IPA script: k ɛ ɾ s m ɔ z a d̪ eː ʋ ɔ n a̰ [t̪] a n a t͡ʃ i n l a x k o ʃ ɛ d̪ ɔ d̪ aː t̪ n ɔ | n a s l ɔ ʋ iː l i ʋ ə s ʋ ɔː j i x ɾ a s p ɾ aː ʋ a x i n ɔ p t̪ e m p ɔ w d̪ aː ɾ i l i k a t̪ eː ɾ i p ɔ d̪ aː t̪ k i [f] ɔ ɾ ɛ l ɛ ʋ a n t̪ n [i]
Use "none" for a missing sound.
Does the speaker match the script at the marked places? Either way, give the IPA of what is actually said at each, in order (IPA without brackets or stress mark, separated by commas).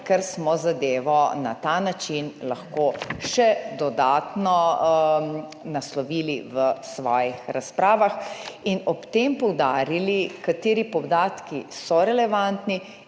t̪, s, i